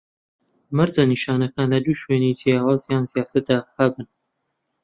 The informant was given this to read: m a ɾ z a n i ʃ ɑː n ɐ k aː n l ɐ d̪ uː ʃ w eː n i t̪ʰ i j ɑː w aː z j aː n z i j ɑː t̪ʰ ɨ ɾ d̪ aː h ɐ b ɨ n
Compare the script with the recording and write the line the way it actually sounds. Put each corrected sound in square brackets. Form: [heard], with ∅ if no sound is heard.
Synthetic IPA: m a ɾ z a n i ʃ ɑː n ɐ k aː n l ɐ d̪ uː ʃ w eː n i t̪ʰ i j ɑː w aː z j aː n z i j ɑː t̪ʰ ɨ ɾ d̪ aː h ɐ b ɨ n